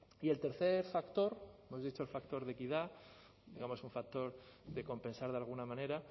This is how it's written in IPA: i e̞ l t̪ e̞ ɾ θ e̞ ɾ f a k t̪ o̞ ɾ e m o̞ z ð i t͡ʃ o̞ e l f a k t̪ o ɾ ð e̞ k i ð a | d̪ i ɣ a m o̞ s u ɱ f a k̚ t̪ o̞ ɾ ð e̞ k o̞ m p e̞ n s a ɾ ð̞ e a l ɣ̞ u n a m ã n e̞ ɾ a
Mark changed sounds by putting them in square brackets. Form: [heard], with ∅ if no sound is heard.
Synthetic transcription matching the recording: i e̞ l t̪ e̞ ɾ θ e̞ ɾ f a k t̪ o̞ ɾ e m o̞ z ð i t͡ʃ o̞ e l f a k t̪ o ɾ ð e̞ k i ð a | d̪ i ɣ a m o̞ s u ɱ f a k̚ t̪ o̞ ɾ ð e̞ k o̞ m p e̞ n s a ɾ ð̞ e a l ɣ̞ u n a m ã n e̞ ɾ a

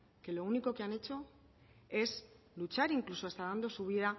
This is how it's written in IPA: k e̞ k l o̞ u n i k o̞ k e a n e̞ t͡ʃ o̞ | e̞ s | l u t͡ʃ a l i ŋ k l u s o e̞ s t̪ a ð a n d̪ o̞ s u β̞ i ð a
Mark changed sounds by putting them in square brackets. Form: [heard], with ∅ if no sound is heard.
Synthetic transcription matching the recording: k e̞ [∅] l o̞ u n i k o̞ k e a n e̞ t͡ʃ o̞ | e̞ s | l u t͡ʃ a [ɾ] i ŋ k l u s o e̞ s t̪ a ð a n d̪ o̞ s u β̞ i ð a

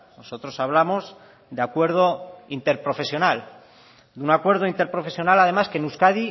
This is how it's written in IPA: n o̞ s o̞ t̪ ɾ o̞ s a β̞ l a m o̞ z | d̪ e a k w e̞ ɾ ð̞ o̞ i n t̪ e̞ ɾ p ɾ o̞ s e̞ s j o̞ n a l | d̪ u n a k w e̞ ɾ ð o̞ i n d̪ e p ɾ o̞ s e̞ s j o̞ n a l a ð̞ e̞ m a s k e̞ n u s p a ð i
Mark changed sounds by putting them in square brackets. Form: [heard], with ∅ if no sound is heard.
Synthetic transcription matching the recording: n o̞ s o̞ t̪ ɾ o̞ s a β̞ l a m o̞ z | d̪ e a k w e̞ ɾ ð̞ o̞ i n t̪ e̞ ɾ p ɾ o̞ [f] e̞ s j o̞ n a l | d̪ u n a k w e̞ ɾ ð o̞ i n [t̪] e p ɾ o̞ [f] e̞ s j o̞ n a l a ð̞ e̞ m a s k e̞ n u s [k] a ð i

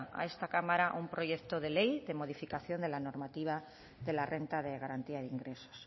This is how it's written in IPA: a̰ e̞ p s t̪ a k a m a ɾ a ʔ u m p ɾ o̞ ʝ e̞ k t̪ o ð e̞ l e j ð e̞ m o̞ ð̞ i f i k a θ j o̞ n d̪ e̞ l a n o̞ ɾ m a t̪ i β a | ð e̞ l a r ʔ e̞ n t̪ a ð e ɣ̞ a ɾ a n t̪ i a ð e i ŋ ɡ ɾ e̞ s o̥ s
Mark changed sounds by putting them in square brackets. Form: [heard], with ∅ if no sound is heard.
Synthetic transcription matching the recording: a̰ e̞ [∅] s t̪ a k a m a ɾ a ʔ u m p ɾ o̞ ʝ e̞ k t̪ o ð e̞ l e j ð e̞ m o̞ ð̞ i f i k a θ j o̞ n d̪ e̞ l a n o̞ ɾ m a t̪ i β a | ð e̞ l a r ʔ e̞ n t̪ a ð e ɣ̞ a ɾ a n t̪ i a ð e i ŋ ɡ ɾ e̞ s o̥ s

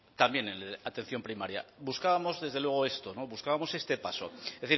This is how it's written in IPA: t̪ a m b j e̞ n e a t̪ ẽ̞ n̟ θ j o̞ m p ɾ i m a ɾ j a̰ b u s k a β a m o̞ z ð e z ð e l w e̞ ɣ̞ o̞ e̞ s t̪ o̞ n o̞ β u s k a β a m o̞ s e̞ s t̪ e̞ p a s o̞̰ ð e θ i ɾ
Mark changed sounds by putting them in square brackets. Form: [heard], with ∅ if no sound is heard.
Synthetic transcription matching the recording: t̪ a m b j e̞ n e a t̪ [e̞] n̟ θ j o̞ m p ɾ i m a ɾ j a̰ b u s k a β a m o̞ z ð e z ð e l w e̞ ɣ̞ o̞ e̞ s t̪ o̞ n o̞ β u s k a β a m o̞ s e̞ s t̪ e̞ p a s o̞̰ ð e θ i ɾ

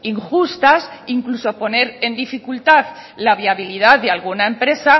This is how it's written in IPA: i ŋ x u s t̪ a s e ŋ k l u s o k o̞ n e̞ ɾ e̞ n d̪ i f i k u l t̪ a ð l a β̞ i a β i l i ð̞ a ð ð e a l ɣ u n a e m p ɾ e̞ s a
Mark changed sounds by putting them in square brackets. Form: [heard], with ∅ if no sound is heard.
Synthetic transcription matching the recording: i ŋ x u s t̪ a s [i] ŋ k l u s o [p] o̞ n e̞ ɾ e̞ n d̪ i f i k u l t̪ a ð l a β̞ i a β i l i ð̞ a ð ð e a l ɣ u n a e m p ɾ e̞ s a

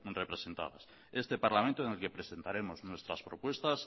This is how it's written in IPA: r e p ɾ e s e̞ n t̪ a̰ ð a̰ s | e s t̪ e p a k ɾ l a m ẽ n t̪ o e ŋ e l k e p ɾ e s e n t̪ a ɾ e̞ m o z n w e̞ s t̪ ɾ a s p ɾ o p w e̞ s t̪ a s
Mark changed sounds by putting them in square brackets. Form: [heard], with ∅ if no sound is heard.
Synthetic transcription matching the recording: r e p ɾ e s e̞ n t̪ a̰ ð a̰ s | e s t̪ e p a [∅] ɾ l a m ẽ n t̪ o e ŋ e l k e p ɾ e s e n t̪ a ɾ e̞ m o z n w e̞ s t̪ ɾ a s p ɾ o p w e̞ s t̪ a s

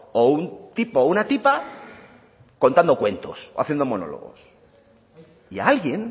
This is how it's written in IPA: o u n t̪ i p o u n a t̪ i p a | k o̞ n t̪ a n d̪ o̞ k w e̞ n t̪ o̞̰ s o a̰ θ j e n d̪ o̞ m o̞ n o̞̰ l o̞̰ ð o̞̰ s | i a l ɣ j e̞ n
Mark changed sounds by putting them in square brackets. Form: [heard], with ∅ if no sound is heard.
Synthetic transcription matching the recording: o u n t̪ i p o u n a t̪ i p a | k o̞ n t̪ a n d̪ o̞ k w e̞ n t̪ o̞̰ s o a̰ θ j e n d̪ o̞ m o̞ n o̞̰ l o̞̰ [ɣ] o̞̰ s | i a l ɣ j e̞ n

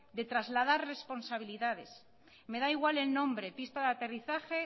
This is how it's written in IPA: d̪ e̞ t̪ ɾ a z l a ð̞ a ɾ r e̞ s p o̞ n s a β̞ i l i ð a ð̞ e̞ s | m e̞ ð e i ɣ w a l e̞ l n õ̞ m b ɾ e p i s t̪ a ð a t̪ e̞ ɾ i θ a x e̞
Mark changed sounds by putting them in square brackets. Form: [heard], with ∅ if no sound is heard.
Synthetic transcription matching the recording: d̪ e̞ t̪ ɾ a z l a ð̞ a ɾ r e̞ s p o̞ n s a β̞ i l i ð a ð̞ e̞ s | m e̞ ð [a] i ɣ w a l e̞ l n õ̞ m b ɾ e p i s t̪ a ð a t̪ e̞ [r] i θ a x e̞

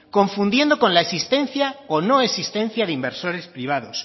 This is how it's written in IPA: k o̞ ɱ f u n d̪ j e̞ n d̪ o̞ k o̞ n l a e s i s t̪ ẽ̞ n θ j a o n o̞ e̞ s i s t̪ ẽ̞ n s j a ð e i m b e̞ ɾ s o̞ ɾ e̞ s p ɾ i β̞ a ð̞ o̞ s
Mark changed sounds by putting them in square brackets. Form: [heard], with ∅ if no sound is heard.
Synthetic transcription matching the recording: k o̞ ɱ f u n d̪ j e̞ n d̪ o̞ k o̞ n l a e s i s t̪ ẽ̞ n θ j a o n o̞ e̞ s i s t̪ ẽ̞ n [θ] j a ð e i m b e̞ ɾ s o̞ ɾ e̞ s p ɾ i β̞ a ð̞ o̞ s

